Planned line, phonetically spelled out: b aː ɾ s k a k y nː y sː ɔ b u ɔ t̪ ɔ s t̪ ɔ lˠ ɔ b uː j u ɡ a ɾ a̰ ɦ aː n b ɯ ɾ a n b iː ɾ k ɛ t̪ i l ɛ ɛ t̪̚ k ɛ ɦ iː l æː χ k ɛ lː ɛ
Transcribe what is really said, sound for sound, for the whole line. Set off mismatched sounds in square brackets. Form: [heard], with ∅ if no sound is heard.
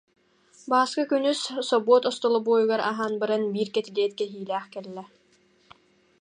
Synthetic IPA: b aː [∅] s k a k y [n] y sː ɔ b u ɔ t̪ ɔ s t̪ ɔ lˠ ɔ b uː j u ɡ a ɾ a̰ ɦ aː n b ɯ ɾ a n b iː ɾ k ɛ t̪ i l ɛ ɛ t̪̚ k ɛ ɦ iː l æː χ k ɛ lː ɛ